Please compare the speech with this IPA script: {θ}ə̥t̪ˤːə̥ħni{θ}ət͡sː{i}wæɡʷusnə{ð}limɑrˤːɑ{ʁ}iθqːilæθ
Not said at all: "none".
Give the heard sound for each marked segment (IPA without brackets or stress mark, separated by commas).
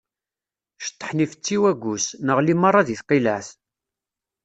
ʃ, f, i, ʁ, ð